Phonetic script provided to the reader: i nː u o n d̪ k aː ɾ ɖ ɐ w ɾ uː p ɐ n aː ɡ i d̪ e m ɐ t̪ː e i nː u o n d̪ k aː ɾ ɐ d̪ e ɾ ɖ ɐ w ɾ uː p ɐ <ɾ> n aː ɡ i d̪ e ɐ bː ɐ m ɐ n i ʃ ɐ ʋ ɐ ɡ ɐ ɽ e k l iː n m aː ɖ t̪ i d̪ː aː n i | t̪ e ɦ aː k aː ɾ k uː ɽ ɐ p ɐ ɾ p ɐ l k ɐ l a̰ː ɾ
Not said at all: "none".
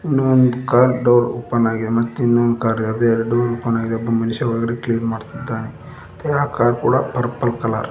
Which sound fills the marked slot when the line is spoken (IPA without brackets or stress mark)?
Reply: none